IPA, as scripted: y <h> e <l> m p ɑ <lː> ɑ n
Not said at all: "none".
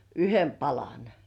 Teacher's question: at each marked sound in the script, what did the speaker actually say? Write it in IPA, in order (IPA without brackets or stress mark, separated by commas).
h, none, l